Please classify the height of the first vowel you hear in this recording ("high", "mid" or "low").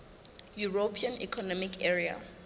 high